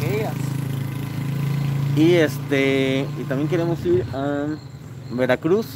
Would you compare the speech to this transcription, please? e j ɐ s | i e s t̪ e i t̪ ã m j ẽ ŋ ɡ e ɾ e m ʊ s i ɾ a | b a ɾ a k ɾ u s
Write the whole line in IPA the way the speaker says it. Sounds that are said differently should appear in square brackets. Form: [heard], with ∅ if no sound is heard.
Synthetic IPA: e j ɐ s | i e s t̪ e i t̪ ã m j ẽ ŋ [k] e ɾ e m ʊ s i ɾ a | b [e] ɾ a k ɾ u s